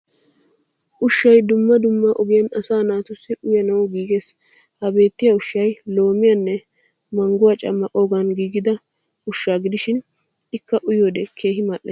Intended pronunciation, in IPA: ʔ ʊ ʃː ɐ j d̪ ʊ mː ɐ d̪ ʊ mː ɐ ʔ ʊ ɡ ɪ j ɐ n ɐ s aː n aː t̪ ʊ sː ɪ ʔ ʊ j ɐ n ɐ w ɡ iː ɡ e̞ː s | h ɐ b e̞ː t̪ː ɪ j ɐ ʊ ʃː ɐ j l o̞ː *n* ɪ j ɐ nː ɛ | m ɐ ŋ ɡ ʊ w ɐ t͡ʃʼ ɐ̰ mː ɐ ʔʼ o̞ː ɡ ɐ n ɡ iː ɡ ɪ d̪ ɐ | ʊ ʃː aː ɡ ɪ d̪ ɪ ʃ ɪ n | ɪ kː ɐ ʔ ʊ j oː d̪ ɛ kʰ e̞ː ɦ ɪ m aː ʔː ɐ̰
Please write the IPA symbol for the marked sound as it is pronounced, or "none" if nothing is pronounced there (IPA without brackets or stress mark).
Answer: m